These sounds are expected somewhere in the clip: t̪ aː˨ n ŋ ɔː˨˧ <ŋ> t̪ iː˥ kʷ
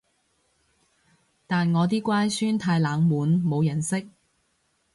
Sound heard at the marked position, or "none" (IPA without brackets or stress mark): none